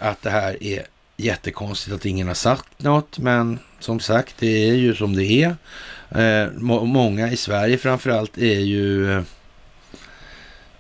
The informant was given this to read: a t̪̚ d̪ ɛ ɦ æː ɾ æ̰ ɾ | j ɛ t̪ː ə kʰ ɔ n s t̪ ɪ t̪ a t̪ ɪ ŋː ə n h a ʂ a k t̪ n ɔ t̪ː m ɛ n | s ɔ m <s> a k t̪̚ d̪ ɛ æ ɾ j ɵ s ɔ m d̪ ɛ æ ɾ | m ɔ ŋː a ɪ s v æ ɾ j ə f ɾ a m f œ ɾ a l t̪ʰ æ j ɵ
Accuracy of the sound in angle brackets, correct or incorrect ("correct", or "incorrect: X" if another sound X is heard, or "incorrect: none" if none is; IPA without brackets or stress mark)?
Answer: correct